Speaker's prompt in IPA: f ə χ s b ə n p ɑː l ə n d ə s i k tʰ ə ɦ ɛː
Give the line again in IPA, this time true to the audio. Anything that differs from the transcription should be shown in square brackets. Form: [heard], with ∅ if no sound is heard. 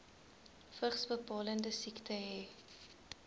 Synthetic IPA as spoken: f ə χ s b ə [∅] p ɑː l ə n d ə s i k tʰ ə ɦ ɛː